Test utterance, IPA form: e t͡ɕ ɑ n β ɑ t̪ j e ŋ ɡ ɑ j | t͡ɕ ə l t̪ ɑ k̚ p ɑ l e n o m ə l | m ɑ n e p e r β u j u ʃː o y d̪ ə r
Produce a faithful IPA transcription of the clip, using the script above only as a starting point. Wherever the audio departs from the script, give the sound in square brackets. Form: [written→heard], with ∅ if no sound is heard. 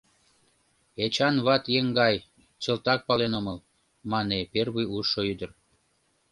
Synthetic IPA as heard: e t͡ɕ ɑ n β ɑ t̪ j e ŋ ɡ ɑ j | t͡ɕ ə l t̪ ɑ k̚ p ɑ l e n o m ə l | m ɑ n e p e r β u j u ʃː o y d̪ ə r